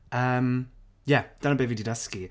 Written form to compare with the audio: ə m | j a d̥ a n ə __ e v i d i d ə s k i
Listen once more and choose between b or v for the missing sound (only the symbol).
b